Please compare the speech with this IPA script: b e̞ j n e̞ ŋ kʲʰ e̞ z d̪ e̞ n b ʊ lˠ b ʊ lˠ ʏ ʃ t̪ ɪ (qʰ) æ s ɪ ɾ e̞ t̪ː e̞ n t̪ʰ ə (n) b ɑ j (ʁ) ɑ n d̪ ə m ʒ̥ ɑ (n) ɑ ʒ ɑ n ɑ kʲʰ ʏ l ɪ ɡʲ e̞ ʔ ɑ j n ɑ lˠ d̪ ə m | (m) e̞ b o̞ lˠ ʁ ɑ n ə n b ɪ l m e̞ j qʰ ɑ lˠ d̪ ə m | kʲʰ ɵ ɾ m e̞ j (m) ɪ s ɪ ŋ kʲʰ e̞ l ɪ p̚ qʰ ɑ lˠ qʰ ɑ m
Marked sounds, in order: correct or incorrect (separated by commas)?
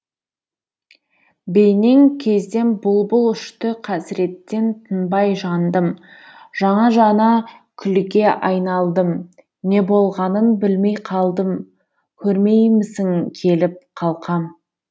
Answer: correct, correct, incorrect, incorrect, incorrect, correct